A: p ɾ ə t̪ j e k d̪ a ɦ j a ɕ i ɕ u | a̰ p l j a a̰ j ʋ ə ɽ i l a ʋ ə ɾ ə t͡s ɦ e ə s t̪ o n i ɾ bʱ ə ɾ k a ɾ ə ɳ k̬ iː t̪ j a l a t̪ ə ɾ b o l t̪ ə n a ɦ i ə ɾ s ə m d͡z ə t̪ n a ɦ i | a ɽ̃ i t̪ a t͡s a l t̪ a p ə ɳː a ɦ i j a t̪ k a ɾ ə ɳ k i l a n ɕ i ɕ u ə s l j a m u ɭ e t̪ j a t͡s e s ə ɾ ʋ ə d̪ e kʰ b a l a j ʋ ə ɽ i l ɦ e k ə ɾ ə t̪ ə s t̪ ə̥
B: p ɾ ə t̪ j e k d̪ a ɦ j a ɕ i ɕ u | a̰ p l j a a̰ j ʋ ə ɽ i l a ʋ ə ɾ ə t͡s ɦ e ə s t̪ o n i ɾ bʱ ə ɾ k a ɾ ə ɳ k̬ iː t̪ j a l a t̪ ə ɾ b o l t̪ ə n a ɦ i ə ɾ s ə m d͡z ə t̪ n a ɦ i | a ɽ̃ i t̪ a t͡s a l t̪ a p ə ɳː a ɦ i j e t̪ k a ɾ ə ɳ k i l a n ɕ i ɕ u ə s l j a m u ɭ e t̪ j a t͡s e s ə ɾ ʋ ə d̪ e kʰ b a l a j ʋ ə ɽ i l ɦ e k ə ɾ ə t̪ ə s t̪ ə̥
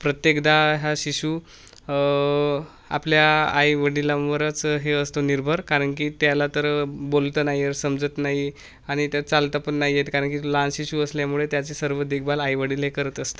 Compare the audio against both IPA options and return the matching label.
B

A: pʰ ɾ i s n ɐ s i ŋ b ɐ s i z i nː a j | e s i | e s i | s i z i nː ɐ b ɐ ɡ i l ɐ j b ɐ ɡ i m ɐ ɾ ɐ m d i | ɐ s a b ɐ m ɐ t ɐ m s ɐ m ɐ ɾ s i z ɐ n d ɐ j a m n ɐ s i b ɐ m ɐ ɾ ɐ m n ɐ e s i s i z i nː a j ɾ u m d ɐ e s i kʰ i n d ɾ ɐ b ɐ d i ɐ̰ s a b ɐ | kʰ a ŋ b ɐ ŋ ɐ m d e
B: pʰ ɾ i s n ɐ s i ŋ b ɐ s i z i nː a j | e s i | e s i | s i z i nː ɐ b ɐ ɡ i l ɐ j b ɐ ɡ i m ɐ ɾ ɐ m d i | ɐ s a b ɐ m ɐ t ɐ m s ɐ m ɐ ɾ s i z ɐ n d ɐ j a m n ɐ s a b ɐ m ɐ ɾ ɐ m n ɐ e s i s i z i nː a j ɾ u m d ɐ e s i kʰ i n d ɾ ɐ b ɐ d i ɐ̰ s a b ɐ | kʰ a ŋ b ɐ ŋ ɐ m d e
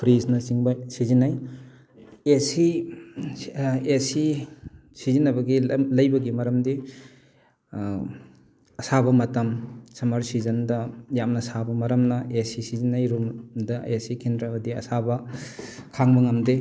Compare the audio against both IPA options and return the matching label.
B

